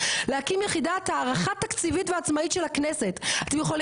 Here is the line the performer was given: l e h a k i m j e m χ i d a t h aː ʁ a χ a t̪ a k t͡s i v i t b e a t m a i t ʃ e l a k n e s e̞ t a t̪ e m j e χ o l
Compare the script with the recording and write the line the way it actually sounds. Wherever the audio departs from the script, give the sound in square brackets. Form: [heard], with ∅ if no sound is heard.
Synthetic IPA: l e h a k i m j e [∅] χ i d a t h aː ʁ a χ a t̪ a k t͡s i v i t [v] e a [t͡s] m a i t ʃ e l a k n e s e̞ t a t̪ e m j e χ o l